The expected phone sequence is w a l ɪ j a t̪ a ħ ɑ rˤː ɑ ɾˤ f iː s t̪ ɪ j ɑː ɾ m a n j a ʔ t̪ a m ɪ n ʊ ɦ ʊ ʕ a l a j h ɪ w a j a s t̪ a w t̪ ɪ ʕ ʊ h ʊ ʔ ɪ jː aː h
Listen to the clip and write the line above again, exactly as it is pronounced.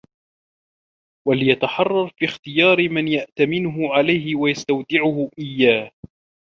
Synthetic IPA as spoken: w a l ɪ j a t̪ a ħ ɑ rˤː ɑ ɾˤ f iː x t̪ ɪ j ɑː ɾ m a n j a ʔ t̪ a m ɪ n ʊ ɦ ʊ ʕ a l a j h ɪ w a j a s t̪ a w t̪ ɪ ʕ ʊ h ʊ ʔ ɪ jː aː h